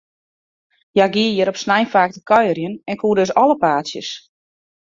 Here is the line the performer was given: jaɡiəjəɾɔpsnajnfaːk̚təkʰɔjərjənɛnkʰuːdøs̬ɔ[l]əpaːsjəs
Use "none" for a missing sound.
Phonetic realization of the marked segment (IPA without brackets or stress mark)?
l